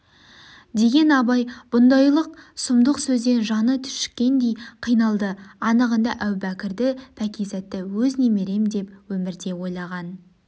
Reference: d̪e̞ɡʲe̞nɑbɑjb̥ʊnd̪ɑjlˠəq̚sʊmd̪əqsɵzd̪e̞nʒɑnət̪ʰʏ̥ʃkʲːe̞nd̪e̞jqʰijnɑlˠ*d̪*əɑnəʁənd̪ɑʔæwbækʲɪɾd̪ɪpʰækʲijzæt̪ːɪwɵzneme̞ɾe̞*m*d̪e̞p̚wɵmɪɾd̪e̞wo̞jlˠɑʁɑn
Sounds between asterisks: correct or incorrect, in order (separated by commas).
correct, correct